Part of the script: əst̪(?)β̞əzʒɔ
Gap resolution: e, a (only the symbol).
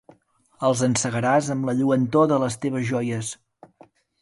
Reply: e